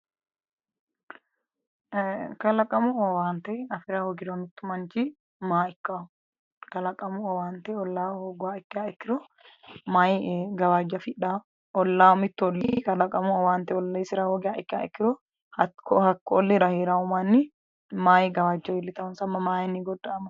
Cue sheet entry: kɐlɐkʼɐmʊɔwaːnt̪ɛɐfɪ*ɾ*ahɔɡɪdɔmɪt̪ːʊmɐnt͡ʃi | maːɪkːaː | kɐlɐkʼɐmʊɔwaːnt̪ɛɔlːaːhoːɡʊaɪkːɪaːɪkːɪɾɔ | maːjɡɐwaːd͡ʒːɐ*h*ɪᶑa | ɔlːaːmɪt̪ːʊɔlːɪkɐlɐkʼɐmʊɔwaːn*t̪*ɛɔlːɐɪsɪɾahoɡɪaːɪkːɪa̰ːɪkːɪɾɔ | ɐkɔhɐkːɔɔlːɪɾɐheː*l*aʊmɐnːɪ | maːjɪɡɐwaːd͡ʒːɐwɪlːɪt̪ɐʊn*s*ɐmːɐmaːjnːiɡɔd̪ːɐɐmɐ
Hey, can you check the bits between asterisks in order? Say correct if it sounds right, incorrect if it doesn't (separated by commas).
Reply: correct, incorrect, correct, incorrect, correct